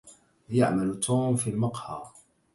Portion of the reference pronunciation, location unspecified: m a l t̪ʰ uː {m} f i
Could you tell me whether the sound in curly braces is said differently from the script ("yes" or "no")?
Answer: no